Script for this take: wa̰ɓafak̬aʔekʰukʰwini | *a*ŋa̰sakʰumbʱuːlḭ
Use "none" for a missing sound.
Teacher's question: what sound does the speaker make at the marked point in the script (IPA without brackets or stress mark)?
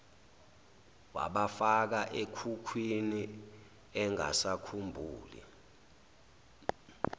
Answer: ɛ